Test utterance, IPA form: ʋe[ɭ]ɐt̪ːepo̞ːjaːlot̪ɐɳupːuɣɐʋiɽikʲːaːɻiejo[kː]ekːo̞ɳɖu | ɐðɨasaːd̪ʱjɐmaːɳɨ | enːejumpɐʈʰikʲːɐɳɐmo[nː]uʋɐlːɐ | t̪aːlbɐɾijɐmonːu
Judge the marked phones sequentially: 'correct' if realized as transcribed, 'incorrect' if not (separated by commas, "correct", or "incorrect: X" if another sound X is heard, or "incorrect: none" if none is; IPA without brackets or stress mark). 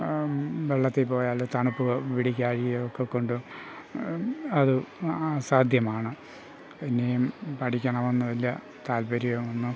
incorrect: ɭː, correct, correct